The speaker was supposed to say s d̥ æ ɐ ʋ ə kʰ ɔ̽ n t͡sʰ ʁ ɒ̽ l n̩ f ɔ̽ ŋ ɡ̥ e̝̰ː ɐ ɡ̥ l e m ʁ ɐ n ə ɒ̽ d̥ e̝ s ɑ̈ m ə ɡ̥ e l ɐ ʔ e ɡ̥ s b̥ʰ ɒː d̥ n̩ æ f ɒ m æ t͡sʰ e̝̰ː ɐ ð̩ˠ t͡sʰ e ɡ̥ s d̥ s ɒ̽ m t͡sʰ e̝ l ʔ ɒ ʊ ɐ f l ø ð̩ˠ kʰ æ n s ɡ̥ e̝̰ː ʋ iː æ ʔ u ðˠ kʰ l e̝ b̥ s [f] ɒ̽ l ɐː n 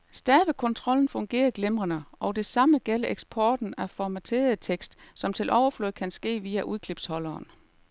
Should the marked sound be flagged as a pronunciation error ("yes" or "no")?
yes